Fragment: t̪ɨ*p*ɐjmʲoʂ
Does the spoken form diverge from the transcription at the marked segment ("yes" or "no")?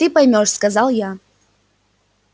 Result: no